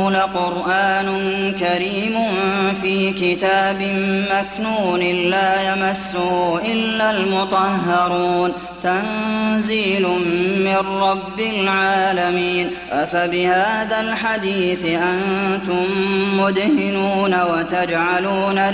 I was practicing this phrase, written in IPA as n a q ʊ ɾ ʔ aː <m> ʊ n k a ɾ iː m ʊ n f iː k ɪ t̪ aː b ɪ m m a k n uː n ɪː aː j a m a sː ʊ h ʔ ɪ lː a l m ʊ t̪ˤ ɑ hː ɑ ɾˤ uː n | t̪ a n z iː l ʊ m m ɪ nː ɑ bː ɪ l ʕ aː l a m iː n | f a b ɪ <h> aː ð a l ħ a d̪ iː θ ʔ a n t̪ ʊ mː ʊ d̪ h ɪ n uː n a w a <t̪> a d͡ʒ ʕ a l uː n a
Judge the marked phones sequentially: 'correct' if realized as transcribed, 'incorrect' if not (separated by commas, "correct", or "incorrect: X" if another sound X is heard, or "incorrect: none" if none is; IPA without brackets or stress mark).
incorrect: n, correct, correct